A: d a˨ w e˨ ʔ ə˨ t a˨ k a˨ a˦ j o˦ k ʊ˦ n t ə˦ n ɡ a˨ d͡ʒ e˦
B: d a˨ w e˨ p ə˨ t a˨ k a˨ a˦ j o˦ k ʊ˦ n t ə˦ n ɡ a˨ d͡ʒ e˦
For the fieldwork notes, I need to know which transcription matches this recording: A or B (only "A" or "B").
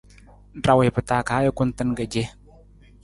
B